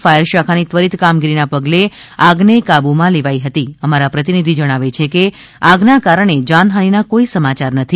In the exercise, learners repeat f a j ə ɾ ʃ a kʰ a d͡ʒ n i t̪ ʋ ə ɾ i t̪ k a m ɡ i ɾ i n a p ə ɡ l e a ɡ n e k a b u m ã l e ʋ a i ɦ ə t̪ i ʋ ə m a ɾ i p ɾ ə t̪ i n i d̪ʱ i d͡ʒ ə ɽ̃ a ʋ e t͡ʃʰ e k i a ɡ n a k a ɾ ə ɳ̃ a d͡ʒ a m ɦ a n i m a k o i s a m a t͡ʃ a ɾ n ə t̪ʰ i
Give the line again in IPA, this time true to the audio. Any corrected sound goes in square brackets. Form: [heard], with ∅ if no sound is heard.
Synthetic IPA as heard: f a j ə ɾ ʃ a kʰ a [∅] n i t̪ ʋ ə ɾ i t̪ k a m ɡ i ɾ i n a p ə ɡ l e a ɡ n e k a b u m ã l e ʋ a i ɦ ə t̪ i [∅] ə m a ɾ [a] p ɾ ə t̪ i n i d̪ʱ i d͡ʒ ə ɽ̃ a ʋ e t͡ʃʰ e k [e] a ɡ n a k a ɾ ə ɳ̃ [e] d͡ʒ a [n] ɦ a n i [n] a k o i s [ə] m a t͡ʃ a ɾ n ə t̪ʰ i

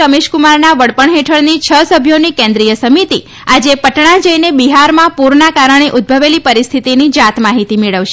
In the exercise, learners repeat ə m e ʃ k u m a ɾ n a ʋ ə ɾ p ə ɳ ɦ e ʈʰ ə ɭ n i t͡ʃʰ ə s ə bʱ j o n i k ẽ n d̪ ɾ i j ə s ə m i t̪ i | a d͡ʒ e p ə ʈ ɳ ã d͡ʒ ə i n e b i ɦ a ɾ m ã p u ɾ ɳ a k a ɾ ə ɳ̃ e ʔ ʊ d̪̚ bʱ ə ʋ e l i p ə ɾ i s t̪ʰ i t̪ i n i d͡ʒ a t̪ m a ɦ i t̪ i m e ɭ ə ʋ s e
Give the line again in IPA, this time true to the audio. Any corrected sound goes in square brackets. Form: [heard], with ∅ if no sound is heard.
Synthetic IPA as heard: ə m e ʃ k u m a ɾ n a ʋ ə [ɽ] p ə ɳ ɦ e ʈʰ ə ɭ n i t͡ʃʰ ə s ə bʱ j o n i k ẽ n d̪ ɾ i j ə s ə m i t̪ i | a d͡ʒ e p ə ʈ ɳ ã d͡ʒ ə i n e b i ɦ a ɾ m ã p u ɾ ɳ a k a ɾ ə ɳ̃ e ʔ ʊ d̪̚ bʱ ə ʋ e l i p ə ɾ i s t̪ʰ i t̪ i n i d͡ʒ a t̪ m a ɦ i t̪ i m e ɭ ə ʋ [ʃ] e

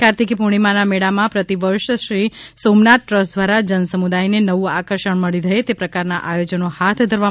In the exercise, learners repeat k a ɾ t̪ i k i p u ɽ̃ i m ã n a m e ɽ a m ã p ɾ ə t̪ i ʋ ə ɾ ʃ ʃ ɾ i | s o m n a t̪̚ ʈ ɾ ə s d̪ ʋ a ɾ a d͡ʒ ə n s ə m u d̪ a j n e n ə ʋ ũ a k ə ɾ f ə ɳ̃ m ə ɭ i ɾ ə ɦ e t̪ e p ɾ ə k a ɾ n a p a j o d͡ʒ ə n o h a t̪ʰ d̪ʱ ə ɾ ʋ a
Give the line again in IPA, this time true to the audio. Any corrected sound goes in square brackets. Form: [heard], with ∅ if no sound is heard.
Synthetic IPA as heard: k a ɾ t̪ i k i p u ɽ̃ i m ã n a m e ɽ a m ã p ɾ ə t̪ i ʋ ə ɾ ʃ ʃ ɾ i | s o m n a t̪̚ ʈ ɾ ə s d̪ ʋ a ɾ a d͡ʒ ə n s ə m u d̪ a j n e n ə ʋ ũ a k ə ɾ [ʃ] ə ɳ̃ m ə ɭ i ɾ ə ɦ e t̪ e p ɾ ə k a ɾ n a [ʔ] a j o d͡ʒ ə n o h a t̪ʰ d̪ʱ ə ɾ ʋ a

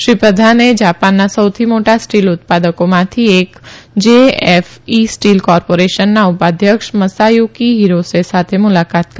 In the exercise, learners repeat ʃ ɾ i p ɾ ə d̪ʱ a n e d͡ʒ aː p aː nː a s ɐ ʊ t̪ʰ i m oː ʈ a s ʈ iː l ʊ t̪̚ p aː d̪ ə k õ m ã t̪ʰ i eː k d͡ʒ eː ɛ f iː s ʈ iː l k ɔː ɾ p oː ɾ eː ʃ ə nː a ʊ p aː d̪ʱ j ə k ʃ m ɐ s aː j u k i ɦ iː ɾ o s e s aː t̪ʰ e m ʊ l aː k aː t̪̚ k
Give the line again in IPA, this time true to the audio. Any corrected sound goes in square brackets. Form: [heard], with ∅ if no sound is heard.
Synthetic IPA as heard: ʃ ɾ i p ɾ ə d̪ʱ a n e d͡ʒ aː p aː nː a s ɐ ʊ t̪ʰ i m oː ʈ a s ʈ iː l ʊ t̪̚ p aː d̪ ə k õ m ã t̪ʰ i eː k d͡ʒ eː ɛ f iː s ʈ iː l k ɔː ɾ p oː ɾ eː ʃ ə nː a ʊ p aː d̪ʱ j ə k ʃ m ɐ s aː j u k i ɦ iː ɾ o s e s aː t̪ʰ e m ʊ l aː k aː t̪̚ k

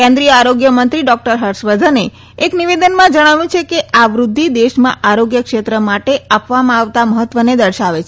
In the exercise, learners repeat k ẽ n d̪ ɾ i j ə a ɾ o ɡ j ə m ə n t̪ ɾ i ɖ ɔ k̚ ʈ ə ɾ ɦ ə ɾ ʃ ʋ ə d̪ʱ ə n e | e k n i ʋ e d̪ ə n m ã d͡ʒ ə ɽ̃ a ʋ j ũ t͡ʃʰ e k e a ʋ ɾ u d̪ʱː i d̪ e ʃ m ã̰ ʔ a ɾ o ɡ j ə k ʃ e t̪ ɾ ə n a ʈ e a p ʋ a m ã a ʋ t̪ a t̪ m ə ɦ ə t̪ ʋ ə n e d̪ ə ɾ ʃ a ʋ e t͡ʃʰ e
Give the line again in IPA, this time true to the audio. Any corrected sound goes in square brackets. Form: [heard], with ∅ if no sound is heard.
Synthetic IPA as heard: k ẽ n d̪ ɾ i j ə a ɾ o ɡ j ə m ə n t̪ ɾ i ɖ ɔ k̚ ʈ ə ɾ ɦ ə ɾ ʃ ʋ ə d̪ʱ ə n e | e k n i ʋ e d̪ ə n m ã d͡ʒ ə ɽ̃ a ʋ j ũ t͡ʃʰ e k e a ʋ ɾ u d̪ʱː i d̪ e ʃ m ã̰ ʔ a ɾ o ɡ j ə k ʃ e t̪ ɾ ə [m] a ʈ e a p ʋ a m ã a ʋ t̪ a [∅] m ə ɦ ə t̪ ʋ ə n e d̪ ə ɾ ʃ a ʋ e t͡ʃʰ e

